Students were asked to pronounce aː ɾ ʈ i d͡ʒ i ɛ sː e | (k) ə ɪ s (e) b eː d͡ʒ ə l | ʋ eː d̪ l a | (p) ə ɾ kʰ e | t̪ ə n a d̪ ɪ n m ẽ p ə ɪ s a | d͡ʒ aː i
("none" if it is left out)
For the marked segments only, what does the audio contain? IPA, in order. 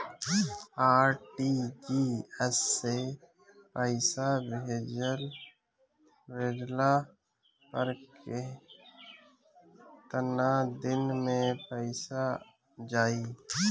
p, a, p

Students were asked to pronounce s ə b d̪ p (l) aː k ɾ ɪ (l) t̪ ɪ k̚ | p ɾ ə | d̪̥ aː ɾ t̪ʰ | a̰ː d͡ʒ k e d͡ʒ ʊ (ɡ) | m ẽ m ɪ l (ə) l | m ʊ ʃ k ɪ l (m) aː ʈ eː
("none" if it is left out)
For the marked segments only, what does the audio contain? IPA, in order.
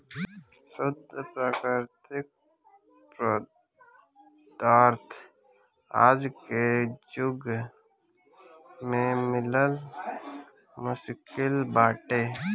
ɾ, ɾ, ɡ, ə, b

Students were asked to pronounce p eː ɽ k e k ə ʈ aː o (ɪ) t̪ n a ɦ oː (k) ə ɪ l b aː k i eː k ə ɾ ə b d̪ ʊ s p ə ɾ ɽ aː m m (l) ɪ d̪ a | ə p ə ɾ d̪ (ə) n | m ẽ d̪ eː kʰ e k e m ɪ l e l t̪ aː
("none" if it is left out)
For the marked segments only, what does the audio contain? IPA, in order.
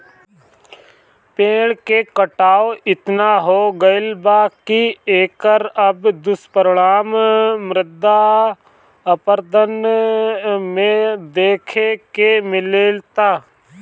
ɪ, ɡ, ɾ, ə

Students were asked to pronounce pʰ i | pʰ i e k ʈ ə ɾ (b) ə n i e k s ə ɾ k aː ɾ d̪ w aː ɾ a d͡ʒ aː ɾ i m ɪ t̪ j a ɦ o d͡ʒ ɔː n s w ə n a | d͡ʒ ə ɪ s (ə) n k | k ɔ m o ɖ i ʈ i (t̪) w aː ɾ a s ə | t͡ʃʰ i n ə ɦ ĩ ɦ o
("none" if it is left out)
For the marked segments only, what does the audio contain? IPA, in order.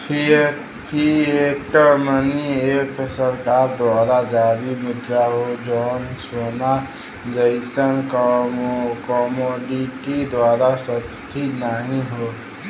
m, ə, d̪

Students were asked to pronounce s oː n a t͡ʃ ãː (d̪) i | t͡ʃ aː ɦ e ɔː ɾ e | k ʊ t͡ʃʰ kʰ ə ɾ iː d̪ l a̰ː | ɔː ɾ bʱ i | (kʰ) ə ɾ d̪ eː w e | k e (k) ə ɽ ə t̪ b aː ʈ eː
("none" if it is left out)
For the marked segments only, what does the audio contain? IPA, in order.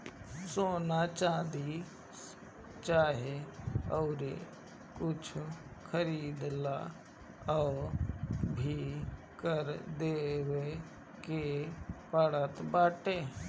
d̪, k, p

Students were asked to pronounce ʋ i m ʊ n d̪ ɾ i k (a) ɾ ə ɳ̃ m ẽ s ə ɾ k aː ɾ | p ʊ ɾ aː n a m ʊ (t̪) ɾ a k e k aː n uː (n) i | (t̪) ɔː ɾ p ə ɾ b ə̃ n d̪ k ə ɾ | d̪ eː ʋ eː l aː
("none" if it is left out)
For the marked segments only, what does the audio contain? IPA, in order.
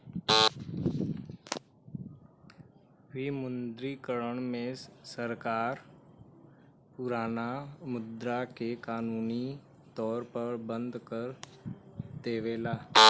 ə, d̪, n, t̪

